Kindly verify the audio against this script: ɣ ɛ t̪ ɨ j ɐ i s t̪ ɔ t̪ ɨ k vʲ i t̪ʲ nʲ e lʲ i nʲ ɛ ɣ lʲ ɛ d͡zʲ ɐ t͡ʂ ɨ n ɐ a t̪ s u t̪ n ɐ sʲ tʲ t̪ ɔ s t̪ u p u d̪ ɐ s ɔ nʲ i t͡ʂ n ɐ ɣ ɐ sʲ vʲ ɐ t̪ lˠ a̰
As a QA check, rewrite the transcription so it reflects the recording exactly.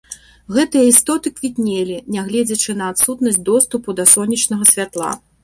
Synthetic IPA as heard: ɣ ɛ t̪ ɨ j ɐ i s t̪ ɔ t̪ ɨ k vʲ i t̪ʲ nʲ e lʲ i nʲ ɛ ɣ lʲ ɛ d͡zʲ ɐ t͡ʂ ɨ n ɐ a t̪ s u t̪ n ɐ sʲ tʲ d̪ ɔ s t̪ u p u d̪ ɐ s ɔ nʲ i t͡ʂ n ɐ ɣ ɐ sʲ vʲ a t̪ lˠ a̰

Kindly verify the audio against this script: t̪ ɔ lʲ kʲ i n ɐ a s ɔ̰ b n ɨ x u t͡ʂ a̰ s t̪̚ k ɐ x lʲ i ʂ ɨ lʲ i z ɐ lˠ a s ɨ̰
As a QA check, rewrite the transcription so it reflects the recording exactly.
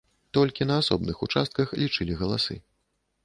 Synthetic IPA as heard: t̪ ɔ lʲ kʲ i n ɐ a s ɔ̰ b n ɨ x u t͡ʂ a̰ s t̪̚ k ɐ x lʲ i t͡ʂ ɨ lʲ i ɣ ɐ lˠ a s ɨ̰

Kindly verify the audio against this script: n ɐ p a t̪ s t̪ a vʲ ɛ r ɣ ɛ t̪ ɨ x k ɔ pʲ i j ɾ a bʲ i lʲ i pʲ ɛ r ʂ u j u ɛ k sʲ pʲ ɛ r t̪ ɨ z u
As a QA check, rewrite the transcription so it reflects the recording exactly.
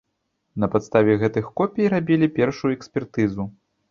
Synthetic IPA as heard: n ɐ p a t̪ s t̪ a vʲ ɛ ɣ ɛ t̪ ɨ x k ɔ pʲ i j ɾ a bʲ i lʲ i pʲ ɛ r ʂ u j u ɛ k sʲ pʲ ɛ r t̪ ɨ z u

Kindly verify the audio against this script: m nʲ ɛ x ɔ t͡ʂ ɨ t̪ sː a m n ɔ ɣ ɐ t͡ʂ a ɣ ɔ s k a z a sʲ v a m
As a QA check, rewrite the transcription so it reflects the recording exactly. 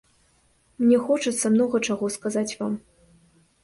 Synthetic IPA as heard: m nʲ ɛ x ɔ t͡ʂ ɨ t̪ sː ɐ m n ɔ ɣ ɐ t͡ʂ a ɣ ɔ s k a z a t͡sʲ v a m

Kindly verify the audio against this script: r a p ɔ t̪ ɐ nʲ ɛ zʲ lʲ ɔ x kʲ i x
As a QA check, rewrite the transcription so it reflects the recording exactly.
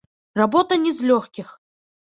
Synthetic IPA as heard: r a b ɔ t̪ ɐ nʲ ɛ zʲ lʲ ɔ x kʲ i x

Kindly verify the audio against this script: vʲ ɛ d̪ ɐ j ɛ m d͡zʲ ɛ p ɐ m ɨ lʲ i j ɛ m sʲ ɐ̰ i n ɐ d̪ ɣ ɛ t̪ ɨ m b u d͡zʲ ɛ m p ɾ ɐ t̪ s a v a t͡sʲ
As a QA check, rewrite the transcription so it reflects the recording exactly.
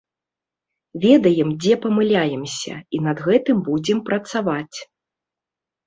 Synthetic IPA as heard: vʲ ɛ d̪ ɐ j ɛ m d͡zʲ ɛ p ɐ m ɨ lʲ a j ɛ m sʲ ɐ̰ i n ɐ d̪ ɣ ɛ t̪ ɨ m b u d͡zʲ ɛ m p ɾ ɐ t̪ s a v a t͡sʲ

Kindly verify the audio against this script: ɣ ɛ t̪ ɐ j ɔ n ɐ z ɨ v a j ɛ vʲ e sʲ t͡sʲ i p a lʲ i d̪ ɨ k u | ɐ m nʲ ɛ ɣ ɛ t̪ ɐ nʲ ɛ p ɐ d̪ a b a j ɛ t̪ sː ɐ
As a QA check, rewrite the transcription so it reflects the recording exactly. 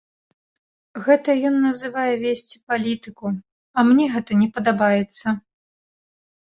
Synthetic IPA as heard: ɣ ɛ t̪ ɐ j ɔ nː ɐ z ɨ v a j ɛ vʲ e sʲ t͡sʲ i p a lʲ i t̪ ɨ k u | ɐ m nʲ ɛ ɣ ɛ t̪ ɐ nʲ ɛ p ɐ d̪ a b a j ɛ t̪ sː ɐ

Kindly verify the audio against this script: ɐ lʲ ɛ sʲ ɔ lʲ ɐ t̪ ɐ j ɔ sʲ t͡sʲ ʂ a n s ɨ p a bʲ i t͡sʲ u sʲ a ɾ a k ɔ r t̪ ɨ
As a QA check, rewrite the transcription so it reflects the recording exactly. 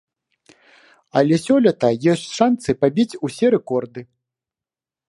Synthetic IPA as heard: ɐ lʲ ɛ sʲ ɔ lʲ ɐ t̪ ɐ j ɔ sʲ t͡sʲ ʂ a n s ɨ p a bʲ i t͡sʲ u sʲ ɛ ɾ ɛ k ɔ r d̪ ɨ

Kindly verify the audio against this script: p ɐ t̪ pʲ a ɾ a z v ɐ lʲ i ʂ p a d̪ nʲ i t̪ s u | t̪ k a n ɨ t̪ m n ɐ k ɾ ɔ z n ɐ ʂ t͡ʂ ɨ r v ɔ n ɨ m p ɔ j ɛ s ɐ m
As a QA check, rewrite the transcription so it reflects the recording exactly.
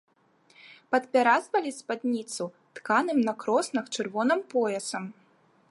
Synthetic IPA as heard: p ɐ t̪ pʲ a ɾ a z v ɐ lʲ i s p a d̪ nʲ i t̪ s u | t̪ k a n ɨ m n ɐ k ɾ ɔ s n ɐ x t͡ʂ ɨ r v ɔ n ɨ m p ɔ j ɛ s ɐ m

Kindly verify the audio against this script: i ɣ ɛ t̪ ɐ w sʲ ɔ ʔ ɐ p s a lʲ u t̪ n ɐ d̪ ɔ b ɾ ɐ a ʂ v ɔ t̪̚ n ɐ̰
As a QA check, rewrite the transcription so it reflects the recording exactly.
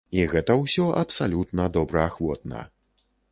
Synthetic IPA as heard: i ɣ ɛ t̪ ɐ w sʲ ɔ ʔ ɐ p s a lʲ u t̪ n ɐ d̪ ɔ b ɾ ɐ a x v ɔ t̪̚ n ɐ̰

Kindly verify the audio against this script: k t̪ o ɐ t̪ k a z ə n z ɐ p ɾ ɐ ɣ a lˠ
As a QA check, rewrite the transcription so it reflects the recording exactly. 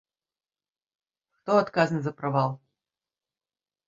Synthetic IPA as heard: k t̪ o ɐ t̪ k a z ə n z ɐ p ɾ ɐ v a lˠ

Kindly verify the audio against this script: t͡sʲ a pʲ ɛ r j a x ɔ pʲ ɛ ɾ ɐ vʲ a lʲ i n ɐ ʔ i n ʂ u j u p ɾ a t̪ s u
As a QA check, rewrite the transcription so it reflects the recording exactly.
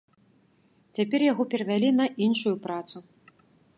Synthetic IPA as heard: t͡sʲ a pʲ ɛ r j a ɣ ɔ pʲ ɛ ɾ ɐ vʲ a lʲ i n ɐ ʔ i n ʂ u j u p ɾ a t̪ s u

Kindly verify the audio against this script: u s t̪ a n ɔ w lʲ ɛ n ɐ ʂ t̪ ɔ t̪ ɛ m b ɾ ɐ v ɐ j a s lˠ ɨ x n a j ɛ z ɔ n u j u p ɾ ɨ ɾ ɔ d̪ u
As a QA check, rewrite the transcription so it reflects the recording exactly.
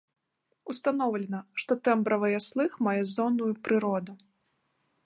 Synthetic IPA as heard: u s t̪ a n ɔ w lʲ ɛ n ɐ ʂ t̪ ɔ t̪ ɛ m b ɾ ɐ v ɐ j a s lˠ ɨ x m a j ɛ z ɔ n u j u p ɾ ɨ ɾ ɔ d̪ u

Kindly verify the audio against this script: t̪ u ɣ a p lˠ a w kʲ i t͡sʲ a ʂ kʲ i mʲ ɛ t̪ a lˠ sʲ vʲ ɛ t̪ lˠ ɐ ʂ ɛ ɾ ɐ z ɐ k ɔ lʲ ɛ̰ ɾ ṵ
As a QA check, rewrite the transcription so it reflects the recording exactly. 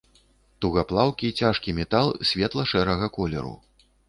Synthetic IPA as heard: t̪ u ɣ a p lˠ a w kʲ i t͡sʲ a ʂ kʲ i mʲ ɛ t̪ a lˠ sʲ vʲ ɛ t̪ lˠ ɐ ʂ ɛ ɾ ɐ ɣ ɐ k ɔ lʲ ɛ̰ ɾ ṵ

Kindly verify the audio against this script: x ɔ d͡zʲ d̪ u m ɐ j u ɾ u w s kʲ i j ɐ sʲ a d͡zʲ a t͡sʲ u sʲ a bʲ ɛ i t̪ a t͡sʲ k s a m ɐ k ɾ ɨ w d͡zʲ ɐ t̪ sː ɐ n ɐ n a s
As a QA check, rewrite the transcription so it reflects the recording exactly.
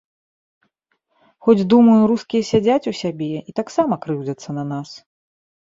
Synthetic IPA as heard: x ɔ d͡zʲ d̪ u m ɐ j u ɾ u s kʲ i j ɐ sʲ a d͡zʲ a t͡sʲ u sʲ a bʲ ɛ i t̪ a k s a m ɐ k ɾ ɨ w d͡zʲ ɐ t̪ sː ɐ n ɐ n a s

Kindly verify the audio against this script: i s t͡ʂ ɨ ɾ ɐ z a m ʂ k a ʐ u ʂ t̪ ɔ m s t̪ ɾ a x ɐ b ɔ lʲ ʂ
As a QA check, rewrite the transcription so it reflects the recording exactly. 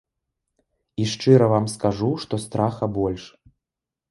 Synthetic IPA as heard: i ʂ t͡ʂ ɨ ɾ ɐ v a m s k a ʐ u ʂ t̪ ɔ s t̪ ɾ a x ɐ b ɔ lʲ ʂ

